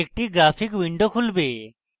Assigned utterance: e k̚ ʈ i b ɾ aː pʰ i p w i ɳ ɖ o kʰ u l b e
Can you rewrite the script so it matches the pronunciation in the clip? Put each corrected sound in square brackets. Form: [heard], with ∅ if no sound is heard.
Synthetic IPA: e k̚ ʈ i [ɡ] ɾ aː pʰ i [k] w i ɳ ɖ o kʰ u l b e